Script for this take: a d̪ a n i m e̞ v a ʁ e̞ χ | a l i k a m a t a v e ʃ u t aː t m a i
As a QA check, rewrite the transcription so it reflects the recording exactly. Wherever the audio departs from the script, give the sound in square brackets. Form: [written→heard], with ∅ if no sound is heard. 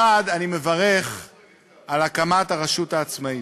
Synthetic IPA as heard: a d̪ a n i m e̞ v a ʁ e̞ χ | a l [i→a] k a m a t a [v→ʁ] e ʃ u t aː [t→t͡s] m a i